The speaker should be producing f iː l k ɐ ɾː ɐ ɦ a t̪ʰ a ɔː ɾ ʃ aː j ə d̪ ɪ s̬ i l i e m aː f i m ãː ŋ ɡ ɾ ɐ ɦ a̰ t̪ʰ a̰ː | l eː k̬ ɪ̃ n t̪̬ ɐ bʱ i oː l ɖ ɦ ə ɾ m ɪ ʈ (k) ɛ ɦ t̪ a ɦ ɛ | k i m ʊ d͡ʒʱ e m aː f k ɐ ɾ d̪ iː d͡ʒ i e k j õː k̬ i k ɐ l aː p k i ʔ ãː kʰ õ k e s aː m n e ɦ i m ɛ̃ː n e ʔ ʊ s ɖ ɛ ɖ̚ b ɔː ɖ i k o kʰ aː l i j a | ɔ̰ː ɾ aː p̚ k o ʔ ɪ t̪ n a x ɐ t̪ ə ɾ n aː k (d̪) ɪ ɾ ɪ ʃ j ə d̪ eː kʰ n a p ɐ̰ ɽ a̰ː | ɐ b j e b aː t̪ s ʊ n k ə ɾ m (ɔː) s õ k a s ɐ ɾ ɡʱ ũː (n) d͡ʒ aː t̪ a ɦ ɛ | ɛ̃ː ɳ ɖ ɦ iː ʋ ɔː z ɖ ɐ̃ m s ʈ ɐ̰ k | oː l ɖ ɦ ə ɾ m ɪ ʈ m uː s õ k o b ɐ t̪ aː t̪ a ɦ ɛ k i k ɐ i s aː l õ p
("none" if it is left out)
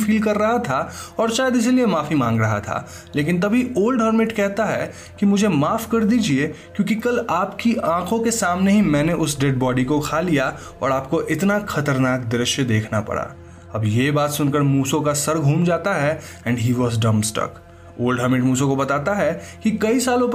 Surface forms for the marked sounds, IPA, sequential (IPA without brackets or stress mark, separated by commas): k, d̪, uː, m